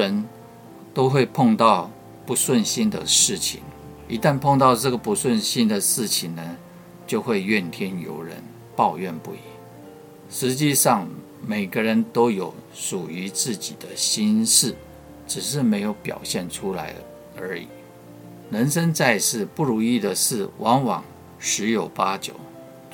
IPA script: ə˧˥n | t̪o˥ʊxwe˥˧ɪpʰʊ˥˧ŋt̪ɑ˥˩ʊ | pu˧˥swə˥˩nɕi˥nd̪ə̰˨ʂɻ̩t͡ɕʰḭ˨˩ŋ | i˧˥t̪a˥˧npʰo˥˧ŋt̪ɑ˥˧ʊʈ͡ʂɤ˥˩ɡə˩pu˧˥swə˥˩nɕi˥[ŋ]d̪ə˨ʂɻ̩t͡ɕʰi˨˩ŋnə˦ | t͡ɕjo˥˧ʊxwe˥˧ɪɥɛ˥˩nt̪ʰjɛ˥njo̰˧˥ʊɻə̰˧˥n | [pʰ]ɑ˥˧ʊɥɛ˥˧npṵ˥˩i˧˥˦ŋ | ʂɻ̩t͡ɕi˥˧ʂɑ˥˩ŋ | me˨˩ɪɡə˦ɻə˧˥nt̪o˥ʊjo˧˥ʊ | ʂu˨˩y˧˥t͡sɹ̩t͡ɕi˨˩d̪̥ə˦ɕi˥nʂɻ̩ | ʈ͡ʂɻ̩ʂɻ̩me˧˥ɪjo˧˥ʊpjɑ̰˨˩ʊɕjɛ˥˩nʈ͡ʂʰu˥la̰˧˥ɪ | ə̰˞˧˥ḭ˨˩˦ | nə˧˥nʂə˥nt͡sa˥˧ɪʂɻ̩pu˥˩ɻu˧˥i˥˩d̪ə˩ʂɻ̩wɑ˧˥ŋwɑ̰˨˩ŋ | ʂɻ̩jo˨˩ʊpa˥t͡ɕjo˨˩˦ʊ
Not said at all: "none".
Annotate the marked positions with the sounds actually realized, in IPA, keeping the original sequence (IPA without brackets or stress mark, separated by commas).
n, p